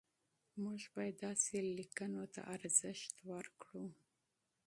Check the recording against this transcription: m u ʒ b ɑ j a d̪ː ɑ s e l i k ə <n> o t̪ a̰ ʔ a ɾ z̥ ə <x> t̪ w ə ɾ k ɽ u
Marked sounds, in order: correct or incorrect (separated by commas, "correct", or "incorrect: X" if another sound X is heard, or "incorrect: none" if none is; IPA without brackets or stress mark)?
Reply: correct, incorrect: ʃ